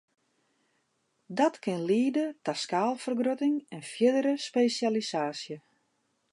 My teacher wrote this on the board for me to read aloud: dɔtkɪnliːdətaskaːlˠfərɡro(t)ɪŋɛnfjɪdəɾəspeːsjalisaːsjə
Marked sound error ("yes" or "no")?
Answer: no